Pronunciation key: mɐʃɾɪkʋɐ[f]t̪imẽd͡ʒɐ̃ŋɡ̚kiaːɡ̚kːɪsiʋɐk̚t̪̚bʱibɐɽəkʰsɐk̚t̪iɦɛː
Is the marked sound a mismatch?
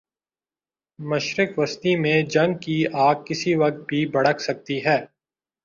yes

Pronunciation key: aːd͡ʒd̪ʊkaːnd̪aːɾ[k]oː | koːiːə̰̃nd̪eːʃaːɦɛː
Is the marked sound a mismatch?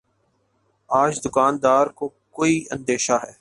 no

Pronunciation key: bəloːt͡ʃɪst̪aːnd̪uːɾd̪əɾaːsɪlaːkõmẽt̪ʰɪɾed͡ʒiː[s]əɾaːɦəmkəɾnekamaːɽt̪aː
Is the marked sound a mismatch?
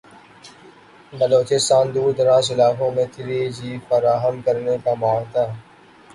yes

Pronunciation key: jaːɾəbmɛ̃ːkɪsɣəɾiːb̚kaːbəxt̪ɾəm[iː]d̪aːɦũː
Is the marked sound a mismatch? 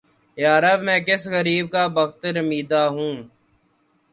no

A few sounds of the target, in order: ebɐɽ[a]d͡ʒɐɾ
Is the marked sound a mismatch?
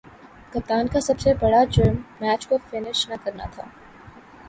no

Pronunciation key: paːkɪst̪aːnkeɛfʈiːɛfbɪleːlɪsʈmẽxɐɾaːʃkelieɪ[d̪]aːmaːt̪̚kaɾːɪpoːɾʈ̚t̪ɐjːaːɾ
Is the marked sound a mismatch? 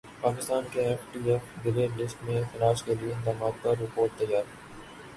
no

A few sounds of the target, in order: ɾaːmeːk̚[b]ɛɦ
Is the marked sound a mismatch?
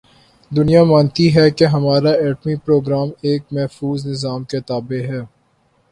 yes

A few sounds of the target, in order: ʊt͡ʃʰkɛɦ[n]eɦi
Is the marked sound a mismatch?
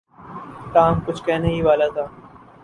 no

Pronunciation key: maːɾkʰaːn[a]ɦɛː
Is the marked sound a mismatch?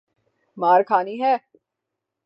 yes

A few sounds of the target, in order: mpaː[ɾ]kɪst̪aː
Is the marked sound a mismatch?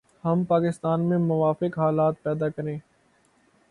yes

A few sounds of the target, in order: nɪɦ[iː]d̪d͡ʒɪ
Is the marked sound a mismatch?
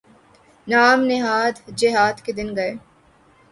yes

